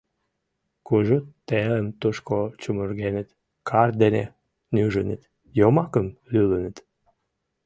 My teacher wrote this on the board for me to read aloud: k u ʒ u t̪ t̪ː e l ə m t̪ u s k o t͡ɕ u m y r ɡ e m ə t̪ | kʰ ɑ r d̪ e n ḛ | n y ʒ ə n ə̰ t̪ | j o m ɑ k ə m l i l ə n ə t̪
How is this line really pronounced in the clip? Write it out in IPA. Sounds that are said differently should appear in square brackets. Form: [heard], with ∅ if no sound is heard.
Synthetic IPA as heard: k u ʒ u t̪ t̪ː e l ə m t̪ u [ʃ] k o t͡ɕ u m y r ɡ e [n] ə t̪ | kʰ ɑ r d̪ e n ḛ | n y ʒ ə n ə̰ t̪ | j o m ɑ k ə m l [y] l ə n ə t̪

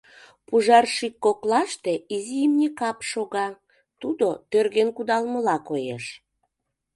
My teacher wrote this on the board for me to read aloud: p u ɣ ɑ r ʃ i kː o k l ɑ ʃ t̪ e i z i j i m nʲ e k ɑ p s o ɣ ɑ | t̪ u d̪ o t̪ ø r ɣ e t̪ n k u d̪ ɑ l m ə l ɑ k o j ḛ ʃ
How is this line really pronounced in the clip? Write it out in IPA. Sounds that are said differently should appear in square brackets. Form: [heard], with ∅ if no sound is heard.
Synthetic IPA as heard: p u [ʒ] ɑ r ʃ i kː o k l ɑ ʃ t̪ e i z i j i m nʲ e k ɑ p [ʃ] o ɣ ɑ | t̪ u d̪ o t̪ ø r ɣ e [∅] n k u d̪ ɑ l m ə l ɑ k o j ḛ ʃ

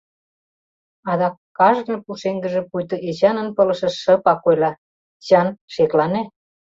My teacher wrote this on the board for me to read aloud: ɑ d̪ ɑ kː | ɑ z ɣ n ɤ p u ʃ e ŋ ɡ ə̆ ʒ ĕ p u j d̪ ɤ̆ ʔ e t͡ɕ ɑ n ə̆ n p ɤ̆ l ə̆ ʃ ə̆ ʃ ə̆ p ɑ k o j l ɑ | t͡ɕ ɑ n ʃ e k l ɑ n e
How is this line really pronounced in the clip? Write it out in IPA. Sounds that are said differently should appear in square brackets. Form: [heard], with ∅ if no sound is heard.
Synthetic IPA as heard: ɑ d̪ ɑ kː | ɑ [ʒ] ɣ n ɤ p u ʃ e ŋ ɡ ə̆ ʒ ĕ p u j [t̪] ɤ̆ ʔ e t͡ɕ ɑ n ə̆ n p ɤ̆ l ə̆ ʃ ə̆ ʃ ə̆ p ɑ k o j l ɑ | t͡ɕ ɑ n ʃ e k l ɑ n e

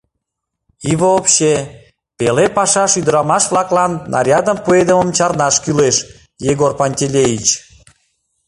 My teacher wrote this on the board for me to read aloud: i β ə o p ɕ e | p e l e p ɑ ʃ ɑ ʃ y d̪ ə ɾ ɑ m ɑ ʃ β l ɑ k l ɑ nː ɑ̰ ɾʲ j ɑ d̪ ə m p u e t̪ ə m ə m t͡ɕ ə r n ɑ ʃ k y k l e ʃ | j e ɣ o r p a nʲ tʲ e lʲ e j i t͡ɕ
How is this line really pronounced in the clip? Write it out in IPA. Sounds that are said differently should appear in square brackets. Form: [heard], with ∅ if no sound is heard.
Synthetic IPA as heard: i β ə o p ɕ e | p e l e p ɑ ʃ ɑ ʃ y d̪ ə ɾ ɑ m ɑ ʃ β l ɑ k l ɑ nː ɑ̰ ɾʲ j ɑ d̪ ə m p u e [d̪] ə m ə m t͡ɕ [ɑ] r n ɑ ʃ k y [∅] l e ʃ | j e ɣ o r p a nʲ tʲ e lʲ e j i t͡ɕ

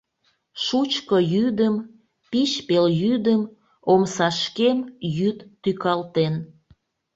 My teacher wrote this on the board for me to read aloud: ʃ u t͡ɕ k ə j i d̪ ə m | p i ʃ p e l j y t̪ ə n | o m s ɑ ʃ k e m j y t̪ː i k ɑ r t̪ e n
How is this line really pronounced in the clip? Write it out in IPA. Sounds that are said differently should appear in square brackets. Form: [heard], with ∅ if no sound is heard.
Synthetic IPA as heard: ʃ u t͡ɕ k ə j [y] d̪ ə m | p i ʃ p e l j y [d̪] ə [m] | o m s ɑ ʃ k e m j y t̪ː [y] k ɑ [l] t̪ e n

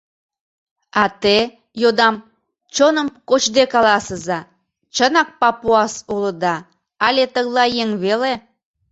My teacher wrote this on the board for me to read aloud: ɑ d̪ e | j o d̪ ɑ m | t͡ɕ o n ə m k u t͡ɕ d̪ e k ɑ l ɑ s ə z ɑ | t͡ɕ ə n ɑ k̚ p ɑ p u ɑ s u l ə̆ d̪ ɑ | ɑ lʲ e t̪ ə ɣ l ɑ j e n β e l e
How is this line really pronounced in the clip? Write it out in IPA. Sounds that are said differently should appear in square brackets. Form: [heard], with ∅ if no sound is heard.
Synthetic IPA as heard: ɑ [t̪] e | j o d̪ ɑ m | t͡ɕ o n ə m k [o] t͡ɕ d̪ e k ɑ l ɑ s ə z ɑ | t͡ɕ ə n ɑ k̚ p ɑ p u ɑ s u l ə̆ d̪ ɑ | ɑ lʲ e t̪ ə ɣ l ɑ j e [ŋ] β e l e

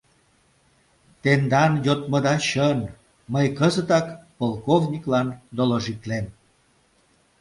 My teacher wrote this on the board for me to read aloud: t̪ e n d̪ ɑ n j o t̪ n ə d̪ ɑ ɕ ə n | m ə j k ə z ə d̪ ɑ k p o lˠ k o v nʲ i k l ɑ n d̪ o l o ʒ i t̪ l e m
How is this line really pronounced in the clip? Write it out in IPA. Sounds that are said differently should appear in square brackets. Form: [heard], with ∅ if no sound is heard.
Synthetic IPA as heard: t̪ e n d̪ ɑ n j o t̪ [m] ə d̪ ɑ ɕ ə n | m ə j k ə z ə [t̪] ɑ k p o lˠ k o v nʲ i k l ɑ n d̪ o l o ʒ i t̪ l e m

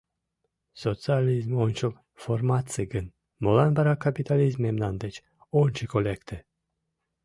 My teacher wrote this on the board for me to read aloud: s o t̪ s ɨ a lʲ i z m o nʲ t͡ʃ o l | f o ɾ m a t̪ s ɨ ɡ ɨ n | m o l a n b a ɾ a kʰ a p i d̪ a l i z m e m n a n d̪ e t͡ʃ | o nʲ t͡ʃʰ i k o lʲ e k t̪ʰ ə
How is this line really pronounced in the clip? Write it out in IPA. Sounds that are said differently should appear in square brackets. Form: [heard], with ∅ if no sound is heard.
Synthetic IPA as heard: s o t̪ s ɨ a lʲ i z m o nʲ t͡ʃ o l | f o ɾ m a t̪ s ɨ ɡ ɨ n | m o l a n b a ɾ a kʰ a p i [t̪] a l i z m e m n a n d̪ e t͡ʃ | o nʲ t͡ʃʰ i k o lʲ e k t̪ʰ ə

